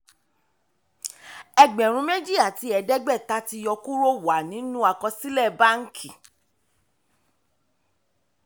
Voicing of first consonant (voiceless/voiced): voiced